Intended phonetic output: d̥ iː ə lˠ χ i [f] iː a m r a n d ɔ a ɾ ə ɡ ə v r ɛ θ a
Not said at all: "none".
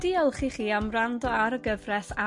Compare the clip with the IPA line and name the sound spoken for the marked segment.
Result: χ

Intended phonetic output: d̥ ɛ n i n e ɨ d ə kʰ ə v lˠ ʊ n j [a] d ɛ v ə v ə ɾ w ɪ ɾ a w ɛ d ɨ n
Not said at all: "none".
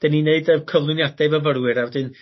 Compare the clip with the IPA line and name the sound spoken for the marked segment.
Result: a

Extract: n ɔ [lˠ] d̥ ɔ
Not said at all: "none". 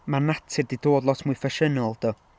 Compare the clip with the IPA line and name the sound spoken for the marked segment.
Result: lˠ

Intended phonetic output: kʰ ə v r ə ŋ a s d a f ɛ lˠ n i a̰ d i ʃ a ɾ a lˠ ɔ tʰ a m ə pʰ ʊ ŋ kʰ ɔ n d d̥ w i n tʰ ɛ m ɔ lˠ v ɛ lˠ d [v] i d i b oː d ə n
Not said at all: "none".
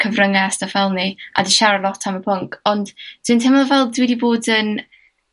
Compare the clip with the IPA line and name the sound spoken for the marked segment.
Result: w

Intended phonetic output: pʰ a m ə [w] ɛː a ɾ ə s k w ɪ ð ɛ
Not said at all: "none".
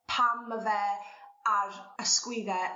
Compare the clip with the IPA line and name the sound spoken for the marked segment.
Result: v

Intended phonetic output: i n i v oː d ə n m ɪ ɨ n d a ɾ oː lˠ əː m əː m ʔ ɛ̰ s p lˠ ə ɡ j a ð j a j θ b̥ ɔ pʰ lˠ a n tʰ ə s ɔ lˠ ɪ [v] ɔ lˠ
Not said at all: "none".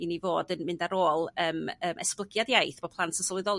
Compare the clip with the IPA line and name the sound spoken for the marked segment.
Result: ð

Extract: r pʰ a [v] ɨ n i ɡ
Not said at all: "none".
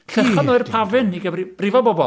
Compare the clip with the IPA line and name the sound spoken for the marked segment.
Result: v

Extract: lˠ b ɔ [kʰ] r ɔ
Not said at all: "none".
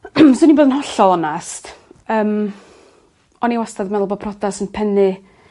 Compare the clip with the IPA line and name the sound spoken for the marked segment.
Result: pʰ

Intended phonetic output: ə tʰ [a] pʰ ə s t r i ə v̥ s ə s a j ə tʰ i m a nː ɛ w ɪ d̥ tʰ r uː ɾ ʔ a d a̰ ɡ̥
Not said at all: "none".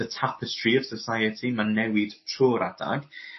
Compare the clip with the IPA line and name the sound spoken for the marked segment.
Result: a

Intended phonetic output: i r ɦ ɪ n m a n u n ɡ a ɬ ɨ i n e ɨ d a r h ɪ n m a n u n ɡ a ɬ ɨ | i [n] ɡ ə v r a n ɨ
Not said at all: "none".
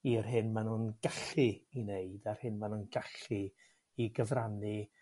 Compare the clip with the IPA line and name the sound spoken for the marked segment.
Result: none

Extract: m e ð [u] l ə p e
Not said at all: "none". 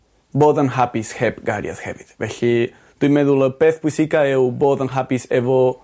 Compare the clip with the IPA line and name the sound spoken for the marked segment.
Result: u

